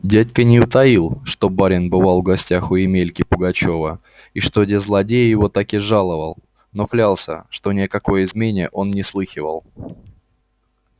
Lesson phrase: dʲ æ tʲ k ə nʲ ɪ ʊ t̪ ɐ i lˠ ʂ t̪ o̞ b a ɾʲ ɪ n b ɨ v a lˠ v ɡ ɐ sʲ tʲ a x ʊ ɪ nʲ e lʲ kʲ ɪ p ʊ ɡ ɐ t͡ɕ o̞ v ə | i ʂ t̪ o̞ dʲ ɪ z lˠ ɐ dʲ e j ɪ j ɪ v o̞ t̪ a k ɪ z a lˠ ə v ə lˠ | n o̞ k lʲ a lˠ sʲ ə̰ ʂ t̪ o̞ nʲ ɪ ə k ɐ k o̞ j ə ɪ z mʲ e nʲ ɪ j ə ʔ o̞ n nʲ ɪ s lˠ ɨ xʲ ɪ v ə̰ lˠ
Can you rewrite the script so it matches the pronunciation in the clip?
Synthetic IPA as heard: dʲ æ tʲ k ə nʲ ɪ ʊ t̪ ɐ i lˠ ʂ t̪ o̞ b a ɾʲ ɪ n b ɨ v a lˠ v ɡ ɐ sʲ tʲ a x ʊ ɪ mʲ e lʲ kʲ ɪ p ʊ ɡ ɐ t͡ɕ o̞ v ə | i ʂ t̪ o̞ dʲ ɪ z lˠ ɐ dʲ e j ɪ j ɪ v o̞ t̪ a k ɪ ʐ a lˠ ə v ə lˠ | n o̞ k lʲ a lˠ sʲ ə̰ ʂ t̪ o̞ nʲ ɪ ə k ɐ k o̞ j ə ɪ z mʲ e nʲ ɪ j ə ʔ o̞ n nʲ ɪ s lˠ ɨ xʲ ɪ v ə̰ lˠ